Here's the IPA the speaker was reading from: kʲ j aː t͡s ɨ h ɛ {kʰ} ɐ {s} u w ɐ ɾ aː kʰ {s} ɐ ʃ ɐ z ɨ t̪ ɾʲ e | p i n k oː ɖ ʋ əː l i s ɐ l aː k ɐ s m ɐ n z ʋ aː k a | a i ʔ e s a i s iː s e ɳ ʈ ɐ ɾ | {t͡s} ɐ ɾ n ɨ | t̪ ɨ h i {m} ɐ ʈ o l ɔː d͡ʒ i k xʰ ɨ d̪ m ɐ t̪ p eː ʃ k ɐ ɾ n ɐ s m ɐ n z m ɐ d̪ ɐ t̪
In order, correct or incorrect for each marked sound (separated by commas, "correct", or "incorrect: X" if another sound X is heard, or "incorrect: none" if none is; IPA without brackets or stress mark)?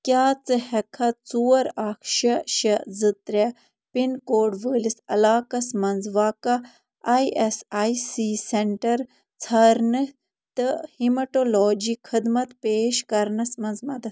correct, incorrect: t͡s, incorrect: ʃ, incorrect: t͡sʰ, correct